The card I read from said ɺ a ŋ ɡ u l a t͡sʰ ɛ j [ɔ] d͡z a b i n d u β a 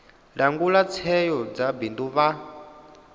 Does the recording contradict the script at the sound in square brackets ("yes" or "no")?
no